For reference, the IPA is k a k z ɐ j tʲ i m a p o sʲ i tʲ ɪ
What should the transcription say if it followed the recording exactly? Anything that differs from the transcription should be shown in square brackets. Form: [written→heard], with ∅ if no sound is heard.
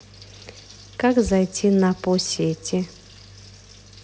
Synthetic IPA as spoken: k a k z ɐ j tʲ i [m→n] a p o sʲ [i→e] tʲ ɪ